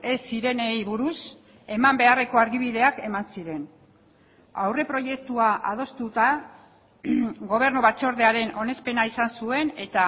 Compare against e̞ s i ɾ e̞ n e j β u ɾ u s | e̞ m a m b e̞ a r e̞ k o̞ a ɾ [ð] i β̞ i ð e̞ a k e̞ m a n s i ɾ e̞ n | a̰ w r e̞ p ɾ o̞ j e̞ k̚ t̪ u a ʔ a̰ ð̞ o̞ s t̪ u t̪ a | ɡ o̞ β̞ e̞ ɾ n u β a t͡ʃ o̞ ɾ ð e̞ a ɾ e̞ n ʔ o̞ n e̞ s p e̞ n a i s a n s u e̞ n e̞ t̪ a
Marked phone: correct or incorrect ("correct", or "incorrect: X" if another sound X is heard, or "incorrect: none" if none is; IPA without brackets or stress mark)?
incorrect: ɣ